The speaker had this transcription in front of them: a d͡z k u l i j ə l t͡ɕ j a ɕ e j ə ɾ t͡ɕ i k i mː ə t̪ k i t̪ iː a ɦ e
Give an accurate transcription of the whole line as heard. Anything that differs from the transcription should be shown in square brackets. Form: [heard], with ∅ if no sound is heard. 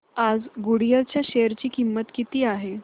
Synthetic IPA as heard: a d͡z [ɡ] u [ɽ] i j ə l t͡ɕ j a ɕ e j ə ɾ t͡ɕ [iː] k i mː ə t̪ k i t̪ iː a ɦ e